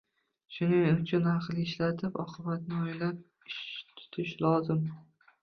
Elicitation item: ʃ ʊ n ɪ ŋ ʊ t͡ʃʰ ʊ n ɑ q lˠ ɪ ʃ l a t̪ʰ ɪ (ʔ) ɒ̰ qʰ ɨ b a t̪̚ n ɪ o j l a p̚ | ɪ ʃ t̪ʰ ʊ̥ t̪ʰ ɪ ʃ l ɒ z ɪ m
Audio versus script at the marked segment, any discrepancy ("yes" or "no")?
yes